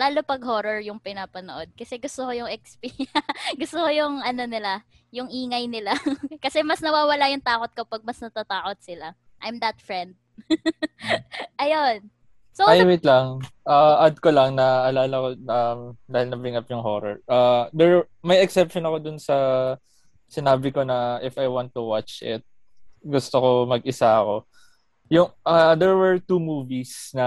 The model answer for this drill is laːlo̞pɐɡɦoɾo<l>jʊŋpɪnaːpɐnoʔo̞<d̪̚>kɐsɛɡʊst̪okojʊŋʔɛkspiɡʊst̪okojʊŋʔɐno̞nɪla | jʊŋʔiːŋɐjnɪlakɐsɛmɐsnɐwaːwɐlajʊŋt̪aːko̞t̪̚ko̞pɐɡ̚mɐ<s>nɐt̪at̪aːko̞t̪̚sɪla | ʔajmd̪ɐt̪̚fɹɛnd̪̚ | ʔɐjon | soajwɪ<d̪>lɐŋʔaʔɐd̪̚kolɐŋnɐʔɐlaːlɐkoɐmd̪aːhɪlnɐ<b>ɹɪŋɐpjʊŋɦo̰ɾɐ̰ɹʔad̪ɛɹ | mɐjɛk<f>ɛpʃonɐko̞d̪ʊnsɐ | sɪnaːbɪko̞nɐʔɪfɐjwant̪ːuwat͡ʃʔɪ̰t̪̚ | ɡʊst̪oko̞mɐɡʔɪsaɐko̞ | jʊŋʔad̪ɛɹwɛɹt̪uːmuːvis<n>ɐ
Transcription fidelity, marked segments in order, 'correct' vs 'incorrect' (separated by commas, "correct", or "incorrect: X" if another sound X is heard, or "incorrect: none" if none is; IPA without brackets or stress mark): incorrect: ɹ, correct, correct, incorrect: t̪, correct, incorrect: s, correct